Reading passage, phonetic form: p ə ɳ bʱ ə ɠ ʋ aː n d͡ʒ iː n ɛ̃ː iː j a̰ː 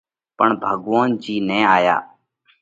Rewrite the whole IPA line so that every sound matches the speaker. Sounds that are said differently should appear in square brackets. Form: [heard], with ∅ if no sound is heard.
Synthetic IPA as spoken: p ə ɳ bʱ ə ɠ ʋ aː n d͡ʒ iː n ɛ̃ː [aː] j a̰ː